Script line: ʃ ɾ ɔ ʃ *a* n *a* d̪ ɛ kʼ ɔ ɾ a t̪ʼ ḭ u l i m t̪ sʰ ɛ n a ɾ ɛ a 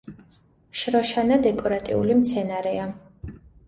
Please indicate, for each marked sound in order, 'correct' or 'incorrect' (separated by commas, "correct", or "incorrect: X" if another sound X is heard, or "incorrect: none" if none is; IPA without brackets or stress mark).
correct, correct